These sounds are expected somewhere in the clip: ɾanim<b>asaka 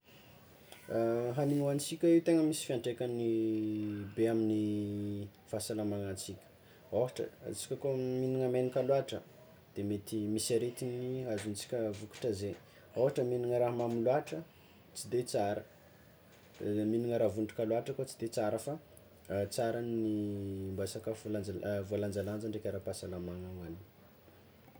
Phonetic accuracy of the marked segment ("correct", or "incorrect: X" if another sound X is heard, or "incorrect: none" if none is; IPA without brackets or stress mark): correct